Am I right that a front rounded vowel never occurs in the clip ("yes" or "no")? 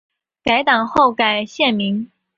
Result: yes